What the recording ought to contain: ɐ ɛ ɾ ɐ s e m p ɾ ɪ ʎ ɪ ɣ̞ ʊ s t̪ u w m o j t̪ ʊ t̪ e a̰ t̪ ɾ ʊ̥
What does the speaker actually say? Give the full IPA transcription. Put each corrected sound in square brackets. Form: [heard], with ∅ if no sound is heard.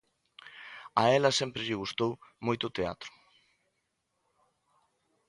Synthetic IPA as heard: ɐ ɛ [l] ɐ s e m p ɾ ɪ ʎ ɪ ɣ̞ [u] s t̪ [o] w m o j t̪ ʊ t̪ e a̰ t̪ ɾ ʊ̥